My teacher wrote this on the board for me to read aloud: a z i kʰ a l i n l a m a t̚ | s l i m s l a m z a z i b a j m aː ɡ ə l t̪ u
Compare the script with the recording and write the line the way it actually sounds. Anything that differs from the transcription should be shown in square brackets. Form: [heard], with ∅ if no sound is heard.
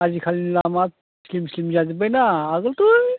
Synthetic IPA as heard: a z i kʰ a l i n l a m a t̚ | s l i m s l [i] m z a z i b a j [n] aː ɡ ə l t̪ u